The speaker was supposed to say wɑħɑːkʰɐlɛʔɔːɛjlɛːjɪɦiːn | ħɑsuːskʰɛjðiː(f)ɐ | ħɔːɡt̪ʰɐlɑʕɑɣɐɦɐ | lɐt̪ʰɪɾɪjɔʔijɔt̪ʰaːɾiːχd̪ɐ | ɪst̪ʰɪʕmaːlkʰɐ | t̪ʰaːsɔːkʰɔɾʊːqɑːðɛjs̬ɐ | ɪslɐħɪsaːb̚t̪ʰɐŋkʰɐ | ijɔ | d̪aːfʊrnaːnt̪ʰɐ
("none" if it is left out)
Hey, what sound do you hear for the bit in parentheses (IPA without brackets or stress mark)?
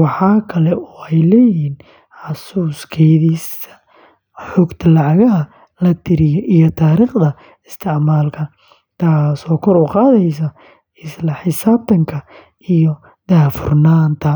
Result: s